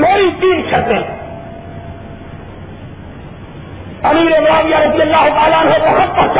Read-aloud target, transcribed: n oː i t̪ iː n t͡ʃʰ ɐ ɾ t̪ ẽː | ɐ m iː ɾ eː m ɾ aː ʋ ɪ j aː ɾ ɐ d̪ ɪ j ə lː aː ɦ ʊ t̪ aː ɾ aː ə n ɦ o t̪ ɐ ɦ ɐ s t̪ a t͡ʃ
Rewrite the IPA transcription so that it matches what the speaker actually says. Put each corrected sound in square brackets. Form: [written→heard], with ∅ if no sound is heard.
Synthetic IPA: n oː i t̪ iː n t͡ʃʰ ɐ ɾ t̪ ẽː | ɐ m iː ɾ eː m ɾ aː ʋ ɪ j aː ɾ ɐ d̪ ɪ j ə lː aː ɦ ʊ t̪ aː [ɾ→l] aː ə n ɦ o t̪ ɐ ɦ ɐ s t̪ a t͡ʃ